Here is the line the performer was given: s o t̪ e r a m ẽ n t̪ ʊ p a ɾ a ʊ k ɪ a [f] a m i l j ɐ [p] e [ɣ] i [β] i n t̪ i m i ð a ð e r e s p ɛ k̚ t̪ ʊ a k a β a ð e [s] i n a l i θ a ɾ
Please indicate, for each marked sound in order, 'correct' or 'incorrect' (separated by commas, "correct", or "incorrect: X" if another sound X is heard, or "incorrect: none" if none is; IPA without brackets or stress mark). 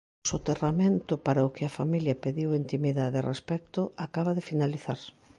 correct, correct, incorrect: ð, incorrect: w, incorrect: f